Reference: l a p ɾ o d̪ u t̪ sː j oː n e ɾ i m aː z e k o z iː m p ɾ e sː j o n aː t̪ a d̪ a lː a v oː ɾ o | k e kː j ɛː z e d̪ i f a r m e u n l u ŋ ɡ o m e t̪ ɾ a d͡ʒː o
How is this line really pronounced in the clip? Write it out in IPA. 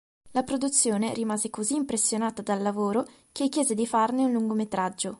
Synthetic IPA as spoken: l a p ɾ o d̪ u t̪ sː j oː n e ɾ i m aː z e k o z iː m p ɾ e sː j o n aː t̪ a d̪ a lː a v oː ɾ o | k e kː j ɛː z e d̪ i f a r n e u n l u ŋ ɡ o m e t̪ ɾ a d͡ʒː o